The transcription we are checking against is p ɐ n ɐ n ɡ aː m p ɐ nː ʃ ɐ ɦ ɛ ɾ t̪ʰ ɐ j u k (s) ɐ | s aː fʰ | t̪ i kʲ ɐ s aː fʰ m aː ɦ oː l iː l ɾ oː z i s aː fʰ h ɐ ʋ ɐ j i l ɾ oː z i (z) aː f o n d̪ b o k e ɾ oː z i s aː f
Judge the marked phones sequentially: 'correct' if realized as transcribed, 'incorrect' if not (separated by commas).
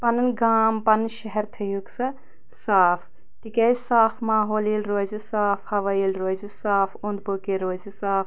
correct, incorrect